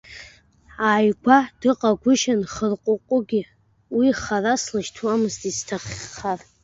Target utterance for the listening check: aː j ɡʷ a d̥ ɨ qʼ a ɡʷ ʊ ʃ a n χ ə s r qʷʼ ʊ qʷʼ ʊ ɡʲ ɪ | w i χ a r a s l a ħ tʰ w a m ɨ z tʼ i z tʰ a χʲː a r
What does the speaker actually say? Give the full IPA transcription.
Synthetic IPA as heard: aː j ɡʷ a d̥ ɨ qʼ a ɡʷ ʊ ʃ a n χ ə r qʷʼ ʊ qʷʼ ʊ ɡʲ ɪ | w i χ a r a s l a ʃ tʰ w a m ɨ z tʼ i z tʰ a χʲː a r